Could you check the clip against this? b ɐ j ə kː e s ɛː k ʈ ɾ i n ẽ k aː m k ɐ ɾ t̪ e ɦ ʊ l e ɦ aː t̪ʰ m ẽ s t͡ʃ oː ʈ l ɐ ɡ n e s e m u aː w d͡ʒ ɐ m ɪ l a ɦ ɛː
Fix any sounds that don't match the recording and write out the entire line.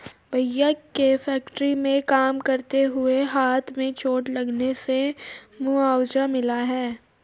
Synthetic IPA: b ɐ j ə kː e f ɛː k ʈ ɾ i m ẽ k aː m k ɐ ɾ t̪ e ɦ ʊ e ɦ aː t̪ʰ m ẽ t͡ʃ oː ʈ l ɐ ɡ n e s e m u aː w d͡ʒ a m ɪ l a ɦ ɛː